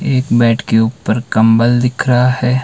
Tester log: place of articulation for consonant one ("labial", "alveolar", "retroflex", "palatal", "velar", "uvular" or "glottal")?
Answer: velar